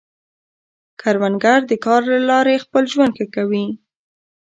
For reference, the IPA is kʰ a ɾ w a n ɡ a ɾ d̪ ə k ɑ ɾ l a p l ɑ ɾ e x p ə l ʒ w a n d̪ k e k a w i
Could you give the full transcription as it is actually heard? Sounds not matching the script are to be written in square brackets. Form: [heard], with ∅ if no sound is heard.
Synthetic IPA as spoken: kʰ a ɾ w a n ɡ a ɾ d̪ ə k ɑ ɾ l a [∅] l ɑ ɾ e x p ə l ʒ w a n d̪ k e k a w i